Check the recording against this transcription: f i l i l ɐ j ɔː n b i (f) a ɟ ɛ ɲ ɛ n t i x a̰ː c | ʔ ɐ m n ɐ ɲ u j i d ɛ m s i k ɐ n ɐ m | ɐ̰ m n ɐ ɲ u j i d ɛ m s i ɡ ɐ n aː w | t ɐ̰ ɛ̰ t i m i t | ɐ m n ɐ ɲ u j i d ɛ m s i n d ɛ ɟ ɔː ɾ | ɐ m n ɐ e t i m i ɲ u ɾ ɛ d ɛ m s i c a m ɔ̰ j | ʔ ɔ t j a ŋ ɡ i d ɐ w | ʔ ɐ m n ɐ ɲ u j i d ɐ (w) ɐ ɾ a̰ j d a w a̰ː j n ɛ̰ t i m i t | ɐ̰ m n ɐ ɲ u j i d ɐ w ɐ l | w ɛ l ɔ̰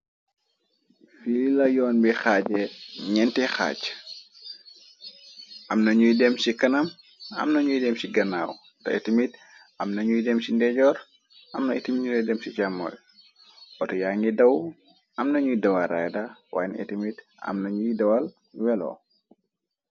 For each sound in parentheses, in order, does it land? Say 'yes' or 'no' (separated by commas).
no, yes